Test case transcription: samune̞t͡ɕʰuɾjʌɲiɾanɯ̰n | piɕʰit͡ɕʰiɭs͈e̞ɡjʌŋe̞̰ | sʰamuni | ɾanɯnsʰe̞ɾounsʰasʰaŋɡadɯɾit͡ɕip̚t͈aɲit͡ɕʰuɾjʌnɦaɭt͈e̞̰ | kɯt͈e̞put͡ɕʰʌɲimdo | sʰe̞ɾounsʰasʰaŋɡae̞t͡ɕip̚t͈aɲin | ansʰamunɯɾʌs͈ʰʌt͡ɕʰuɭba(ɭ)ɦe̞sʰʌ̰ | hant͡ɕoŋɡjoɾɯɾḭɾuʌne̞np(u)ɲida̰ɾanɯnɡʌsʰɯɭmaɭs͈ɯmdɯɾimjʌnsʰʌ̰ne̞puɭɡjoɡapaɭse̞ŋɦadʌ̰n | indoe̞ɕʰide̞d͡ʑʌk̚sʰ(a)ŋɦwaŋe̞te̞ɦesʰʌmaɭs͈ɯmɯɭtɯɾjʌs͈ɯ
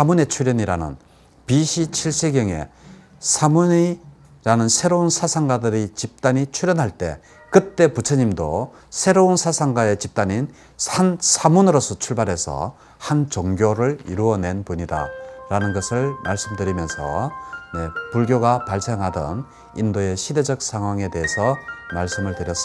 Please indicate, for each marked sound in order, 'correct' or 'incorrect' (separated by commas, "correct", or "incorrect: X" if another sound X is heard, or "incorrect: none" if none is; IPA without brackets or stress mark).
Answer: incorrect: ɾ, correct, correct